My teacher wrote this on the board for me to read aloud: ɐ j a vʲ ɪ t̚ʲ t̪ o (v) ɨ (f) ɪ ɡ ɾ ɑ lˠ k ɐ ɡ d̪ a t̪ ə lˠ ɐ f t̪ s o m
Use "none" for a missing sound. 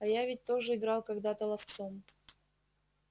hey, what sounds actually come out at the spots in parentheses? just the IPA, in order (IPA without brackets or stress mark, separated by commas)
ʐ, none